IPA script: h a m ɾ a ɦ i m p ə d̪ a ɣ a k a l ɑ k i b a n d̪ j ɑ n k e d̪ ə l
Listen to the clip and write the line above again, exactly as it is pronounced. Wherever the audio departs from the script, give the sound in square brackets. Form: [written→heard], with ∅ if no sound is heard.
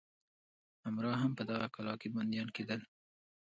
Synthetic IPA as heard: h a m ɾ [a→ɑ] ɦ [i→a] m p ə d̪ a ɣ a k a l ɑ k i b a n d̪ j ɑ n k e d̪ ə l

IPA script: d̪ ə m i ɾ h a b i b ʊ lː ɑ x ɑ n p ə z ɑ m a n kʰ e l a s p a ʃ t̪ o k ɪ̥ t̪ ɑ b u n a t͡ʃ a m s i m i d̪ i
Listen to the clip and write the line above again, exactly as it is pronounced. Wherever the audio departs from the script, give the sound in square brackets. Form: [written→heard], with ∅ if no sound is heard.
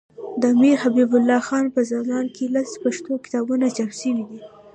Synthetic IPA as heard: d̪ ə m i ɾ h a b i b ʊ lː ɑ x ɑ n p ə z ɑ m [a→ɑ] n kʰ e l a s p a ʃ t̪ o k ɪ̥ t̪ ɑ b u n a t͡ʃ a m s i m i d̪ i

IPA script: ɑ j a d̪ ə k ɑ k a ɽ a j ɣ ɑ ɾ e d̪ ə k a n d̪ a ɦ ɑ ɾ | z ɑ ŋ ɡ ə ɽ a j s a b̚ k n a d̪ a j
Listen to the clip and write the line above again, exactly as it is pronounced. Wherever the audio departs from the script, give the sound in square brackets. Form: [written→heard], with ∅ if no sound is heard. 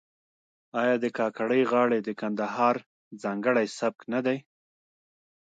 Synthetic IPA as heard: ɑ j [a→ɑ] d̪ ə k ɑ k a ɽ [a→ə] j ɣ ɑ [ɾ→ɽ] e d̪ ə k a n d̪ a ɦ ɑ ɾ | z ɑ ŋ ɡ ə ɽ a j s a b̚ k n a d̪ a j

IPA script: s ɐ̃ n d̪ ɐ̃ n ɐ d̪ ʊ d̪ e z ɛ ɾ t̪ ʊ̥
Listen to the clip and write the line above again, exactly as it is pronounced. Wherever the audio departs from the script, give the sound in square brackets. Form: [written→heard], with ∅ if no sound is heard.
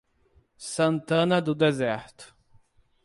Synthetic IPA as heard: s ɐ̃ n [d̪→t̪] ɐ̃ n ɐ d̪ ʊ d̪ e z ɛ ɾ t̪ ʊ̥

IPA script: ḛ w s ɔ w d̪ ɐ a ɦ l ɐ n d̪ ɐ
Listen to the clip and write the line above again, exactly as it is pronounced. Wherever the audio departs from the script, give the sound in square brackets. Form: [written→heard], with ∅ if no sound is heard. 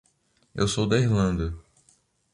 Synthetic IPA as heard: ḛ w s [ɔ→o] w d̪ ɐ [a→i] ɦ l [ɐ→ɐ̃] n d̪ ɐ

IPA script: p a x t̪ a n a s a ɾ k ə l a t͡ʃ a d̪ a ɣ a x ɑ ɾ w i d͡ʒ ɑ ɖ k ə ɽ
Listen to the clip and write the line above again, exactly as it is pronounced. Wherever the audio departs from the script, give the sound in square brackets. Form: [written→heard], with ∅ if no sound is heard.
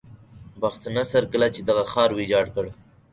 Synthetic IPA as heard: [p→b] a x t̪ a n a s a ɾ k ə l a t͡ʃ [a→e] d̪ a ɣ a x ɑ ɾ w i d͡ʒ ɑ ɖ k ə ɽ

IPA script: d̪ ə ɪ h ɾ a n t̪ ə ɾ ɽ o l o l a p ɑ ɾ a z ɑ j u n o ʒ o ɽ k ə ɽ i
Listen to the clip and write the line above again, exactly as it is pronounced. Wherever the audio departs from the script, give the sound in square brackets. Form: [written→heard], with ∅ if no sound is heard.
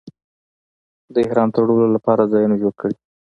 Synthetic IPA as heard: d̪ ə ɪ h ɾ [a→ɑ] n t̪ ə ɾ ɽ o l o l a p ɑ ɾ a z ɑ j u n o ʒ o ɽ k ə ɽ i

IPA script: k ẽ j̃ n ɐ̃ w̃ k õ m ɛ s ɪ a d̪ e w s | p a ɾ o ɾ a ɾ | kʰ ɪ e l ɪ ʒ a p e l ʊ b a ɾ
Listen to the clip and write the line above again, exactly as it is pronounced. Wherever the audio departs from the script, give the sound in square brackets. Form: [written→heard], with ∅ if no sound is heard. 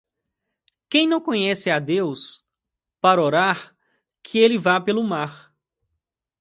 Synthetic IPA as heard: k ẽ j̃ n ɐ̃ w̃ k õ [m→ɲ] ɛ s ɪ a d̪ e w s | p a ɾ o ɾ a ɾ | kʰ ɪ e l ɪ [ʒ→v] a p e l ʊ [b→m] a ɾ

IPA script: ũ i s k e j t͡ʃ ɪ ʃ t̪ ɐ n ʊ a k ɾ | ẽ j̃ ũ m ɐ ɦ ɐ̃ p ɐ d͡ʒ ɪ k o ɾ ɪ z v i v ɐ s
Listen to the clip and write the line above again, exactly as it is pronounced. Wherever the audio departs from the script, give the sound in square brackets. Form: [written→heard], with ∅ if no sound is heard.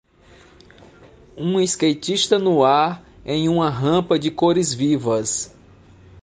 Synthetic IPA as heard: ũ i s k e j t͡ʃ [ɪ→i] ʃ t̪ ɐ n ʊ a [k→∅] ɾ | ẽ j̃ ũ m ɐ ɦ ɐ̃ p ɐ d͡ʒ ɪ k o ɾ ɪ z v i v ɐ s

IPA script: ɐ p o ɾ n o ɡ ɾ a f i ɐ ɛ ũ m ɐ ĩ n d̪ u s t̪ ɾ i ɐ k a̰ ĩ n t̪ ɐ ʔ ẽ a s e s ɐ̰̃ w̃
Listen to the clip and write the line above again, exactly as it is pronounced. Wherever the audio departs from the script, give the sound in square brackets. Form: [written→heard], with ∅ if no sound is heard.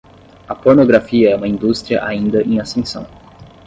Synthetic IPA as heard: ɐ p o ɾ n o ɡ ɾ a f i ɐ ɛ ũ m ɐ ĩ n d̪ u s t̪ ɾ i ɐ [k→ʔ] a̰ ĩ n [t̪→d̪] ɐ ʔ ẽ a s [e→ẽ] s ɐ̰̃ w̃

